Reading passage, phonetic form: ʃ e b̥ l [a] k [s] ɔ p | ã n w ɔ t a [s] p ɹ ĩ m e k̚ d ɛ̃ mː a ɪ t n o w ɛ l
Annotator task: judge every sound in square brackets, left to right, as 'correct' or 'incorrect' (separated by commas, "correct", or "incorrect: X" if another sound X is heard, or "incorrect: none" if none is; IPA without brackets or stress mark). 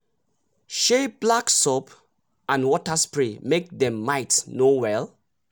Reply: correct, correct, correct